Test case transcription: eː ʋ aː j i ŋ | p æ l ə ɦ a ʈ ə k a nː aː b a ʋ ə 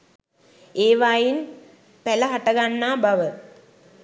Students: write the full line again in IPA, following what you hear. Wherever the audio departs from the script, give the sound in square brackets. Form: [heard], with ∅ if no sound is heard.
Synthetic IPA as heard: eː ʋ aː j i [n] | p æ l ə ɦ a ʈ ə [ɡ] a nː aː b a ʋ ə